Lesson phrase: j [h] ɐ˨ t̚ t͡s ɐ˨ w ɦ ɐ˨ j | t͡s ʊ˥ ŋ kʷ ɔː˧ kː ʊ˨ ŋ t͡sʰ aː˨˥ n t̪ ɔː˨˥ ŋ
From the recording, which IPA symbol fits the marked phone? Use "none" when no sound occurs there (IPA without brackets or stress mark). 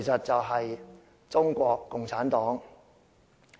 s